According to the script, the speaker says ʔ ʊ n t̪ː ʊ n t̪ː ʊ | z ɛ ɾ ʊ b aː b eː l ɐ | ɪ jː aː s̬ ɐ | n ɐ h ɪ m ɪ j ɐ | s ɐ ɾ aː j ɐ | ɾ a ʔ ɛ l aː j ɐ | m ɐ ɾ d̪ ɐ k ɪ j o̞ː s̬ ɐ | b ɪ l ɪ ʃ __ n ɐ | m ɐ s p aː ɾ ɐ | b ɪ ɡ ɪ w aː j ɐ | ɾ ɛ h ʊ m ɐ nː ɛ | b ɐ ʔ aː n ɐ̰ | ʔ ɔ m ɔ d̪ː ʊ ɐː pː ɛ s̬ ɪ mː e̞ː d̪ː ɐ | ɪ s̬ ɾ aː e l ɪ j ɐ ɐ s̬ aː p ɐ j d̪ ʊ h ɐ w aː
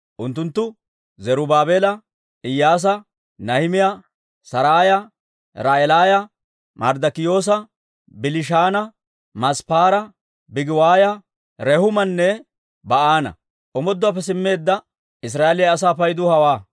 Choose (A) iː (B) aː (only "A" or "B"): B